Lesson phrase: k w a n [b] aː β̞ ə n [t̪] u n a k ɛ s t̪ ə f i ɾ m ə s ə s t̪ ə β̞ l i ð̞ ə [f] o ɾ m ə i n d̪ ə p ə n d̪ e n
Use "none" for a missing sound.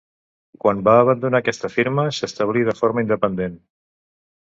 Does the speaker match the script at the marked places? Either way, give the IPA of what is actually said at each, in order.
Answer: b, d̪, f

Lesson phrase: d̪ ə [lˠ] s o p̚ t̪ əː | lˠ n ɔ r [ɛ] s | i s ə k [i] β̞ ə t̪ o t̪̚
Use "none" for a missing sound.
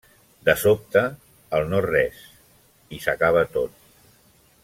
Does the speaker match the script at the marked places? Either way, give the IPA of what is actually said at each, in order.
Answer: none, ɛ, a

